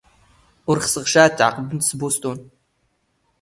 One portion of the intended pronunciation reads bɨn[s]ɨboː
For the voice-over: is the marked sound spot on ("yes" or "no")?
yes